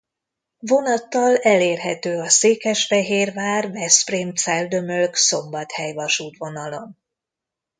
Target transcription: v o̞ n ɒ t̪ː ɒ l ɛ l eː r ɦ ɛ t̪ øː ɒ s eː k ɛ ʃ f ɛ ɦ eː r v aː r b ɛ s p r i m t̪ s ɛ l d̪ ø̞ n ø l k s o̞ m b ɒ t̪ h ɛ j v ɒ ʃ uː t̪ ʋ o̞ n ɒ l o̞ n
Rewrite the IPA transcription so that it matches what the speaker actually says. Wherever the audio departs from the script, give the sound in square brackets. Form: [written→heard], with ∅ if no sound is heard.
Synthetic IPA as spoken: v o̞ n ɒ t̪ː ɒ l ɛ l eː r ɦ ɛ t̪ øː ɒ s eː k ɛ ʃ f ɛ ɦ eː r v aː r [b→v] ɛ s p r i m t̪ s ɛ l d̪ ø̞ [n→m] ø l k s o̞ m b ɒ t̪ h ɛ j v ɒ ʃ uː t̪ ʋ o̞ n ɒ l o̞ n

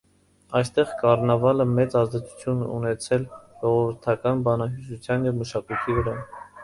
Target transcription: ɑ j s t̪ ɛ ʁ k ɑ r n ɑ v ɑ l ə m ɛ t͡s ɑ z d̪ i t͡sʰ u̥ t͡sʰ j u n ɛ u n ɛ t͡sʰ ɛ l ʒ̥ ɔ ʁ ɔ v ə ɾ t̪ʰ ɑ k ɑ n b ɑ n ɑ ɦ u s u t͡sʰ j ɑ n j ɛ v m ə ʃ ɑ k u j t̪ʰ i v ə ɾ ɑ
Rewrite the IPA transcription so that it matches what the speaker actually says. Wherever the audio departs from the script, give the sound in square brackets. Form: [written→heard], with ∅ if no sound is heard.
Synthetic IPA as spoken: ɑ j s t̪ ɛ ʁ k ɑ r n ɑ v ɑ l ə m ɛ t͡s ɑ z d̪ [i→ɛ] t͡sʰ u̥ t͡sʰ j u n ɛ u n ɛ t͡sʰ ɛ l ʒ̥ ɔ ʁ ɔ v ə ɾ t̪ʰ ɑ k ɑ n b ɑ n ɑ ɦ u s u t͡sʰ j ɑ n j ɛ v m ə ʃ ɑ k u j t̪ʰ i v ə ɾ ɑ

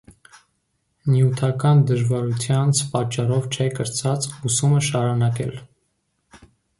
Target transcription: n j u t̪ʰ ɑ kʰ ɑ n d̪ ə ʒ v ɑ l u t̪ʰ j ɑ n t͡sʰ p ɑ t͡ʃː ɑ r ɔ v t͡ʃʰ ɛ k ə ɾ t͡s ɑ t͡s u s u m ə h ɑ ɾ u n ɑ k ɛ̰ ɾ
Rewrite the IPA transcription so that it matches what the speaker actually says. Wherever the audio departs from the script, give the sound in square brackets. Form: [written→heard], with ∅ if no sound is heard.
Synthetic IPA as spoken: n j u t̪ʰ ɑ [kʰ→k] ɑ n d̪ ə ʒ v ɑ [l→ɾ] u t̪ʰ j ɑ n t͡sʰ p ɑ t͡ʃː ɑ r ɔ v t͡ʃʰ ɛ k ə ɾ t͡s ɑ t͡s u s u m ə [h→ʃ] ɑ ɾ u n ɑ k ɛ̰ [ɾ→l]

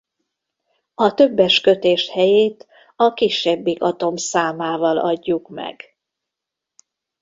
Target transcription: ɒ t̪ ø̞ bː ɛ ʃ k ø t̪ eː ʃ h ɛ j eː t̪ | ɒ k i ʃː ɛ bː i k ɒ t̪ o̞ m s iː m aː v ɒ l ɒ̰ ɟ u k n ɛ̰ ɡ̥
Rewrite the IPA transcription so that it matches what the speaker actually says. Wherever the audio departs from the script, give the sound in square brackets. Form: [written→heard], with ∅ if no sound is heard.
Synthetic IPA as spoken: ɒ t̪ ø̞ bː ɛ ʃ k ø t̪ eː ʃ h ɛ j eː t̪ | ɒ k i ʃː ɛ bː i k ɒ t̪ o̞ m s [iː→aː] m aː v ɒ l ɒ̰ [ɟ→ɟː] u k [n→m] ɛ̰ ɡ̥

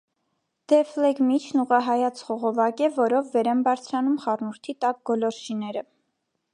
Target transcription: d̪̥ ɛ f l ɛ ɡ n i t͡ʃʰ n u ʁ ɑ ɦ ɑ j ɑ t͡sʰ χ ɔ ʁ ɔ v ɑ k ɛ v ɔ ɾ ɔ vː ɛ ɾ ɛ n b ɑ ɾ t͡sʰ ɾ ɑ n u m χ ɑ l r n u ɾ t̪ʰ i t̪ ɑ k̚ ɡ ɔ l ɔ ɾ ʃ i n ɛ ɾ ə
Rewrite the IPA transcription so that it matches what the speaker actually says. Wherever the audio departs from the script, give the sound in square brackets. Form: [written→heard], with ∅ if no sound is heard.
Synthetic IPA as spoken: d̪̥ ɛ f l ɛ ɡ [n→m] i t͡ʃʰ n u ʁ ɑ ɦ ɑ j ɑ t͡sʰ χ ɔ ʁ ɔ v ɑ k ɛ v ɔ ɾ ɔ vː ɛ ɾ ɛ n b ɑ ɾ t͡sʰ ɾ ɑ n u m χ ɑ [l→∅] r n u ɾ t̪ʰ i t̪ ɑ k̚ ɡ ɔ l ɔ ɾ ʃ i n ɛ ɾ ə

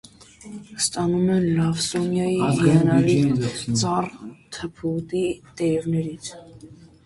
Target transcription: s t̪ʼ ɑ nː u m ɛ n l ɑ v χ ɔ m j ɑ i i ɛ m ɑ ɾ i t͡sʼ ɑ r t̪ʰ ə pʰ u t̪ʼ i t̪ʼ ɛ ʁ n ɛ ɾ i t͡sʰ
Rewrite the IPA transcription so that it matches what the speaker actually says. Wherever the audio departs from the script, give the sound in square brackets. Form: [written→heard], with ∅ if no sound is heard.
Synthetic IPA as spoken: s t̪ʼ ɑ [nː→n] u m ɛ n l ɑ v [χ→s] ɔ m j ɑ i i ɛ [m→n] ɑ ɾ i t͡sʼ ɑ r t̪ʰ ə pʰ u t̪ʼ i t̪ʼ ɛ [ʁ→v] n ɛ ɾ i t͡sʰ

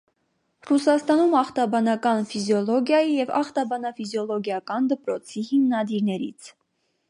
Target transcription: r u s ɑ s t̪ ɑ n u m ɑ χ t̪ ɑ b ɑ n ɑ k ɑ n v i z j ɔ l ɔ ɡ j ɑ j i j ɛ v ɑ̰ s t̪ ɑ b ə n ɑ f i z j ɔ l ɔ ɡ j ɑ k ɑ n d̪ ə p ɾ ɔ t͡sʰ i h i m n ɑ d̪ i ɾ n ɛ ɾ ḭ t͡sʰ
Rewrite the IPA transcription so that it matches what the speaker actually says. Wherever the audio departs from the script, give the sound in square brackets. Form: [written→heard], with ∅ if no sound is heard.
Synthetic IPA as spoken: r u s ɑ s t̪ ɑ n u m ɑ χ t̪ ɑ b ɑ n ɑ k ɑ n [v→f] i z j ɔ l ɔ ɡ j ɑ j i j ɛ v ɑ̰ [s→χ] t̪ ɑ b [ə→ɑ] n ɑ f i z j ɔ l ɔ ɡ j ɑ k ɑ n d̪ ə p ɾ ɔ t͡sʰ i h i m n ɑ d̪ i ɾ n ɛ ɾ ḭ t͡sʰ

